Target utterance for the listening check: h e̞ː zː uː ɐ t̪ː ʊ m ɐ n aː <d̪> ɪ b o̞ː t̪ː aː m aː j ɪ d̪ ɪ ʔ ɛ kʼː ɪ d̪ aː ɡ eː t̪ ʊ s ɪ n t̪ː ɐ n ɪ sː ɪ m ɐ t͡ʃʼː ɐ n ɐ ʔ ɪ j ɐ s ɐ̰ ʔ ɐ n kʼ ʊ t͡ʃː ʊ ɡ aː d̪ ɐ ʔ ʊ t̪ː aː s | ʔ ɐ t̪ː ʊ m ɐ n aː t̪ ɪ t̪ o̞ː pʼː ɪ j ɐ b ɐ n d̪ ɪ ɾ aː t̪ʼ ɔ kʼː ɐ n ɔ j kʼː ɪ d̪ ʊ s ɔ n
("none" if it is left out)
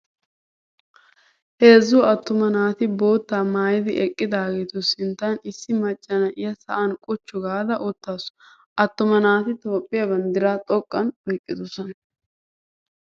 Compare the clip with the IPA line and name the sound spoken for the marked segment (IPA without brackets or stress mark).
t̪